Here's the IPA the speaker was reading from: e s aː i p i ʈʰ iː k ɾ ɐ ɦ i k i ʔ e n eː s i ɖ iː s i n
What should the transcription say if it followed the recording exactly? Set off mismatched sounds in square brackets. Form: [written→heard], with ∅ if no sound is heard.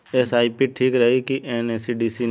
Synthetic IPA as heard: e s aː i p i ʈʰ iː k ɾ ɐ ɦ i k i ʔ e n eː s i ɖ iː s i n